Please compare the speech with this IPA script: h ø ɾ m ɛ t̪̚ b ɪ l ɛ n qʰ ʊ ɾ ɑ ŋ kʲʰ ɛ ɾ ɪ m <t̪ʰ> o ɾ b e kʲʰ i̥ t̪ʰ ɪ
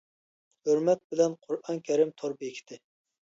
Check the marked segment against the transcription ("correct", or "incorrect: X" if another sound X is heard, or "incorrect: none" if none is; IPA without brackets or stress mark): correct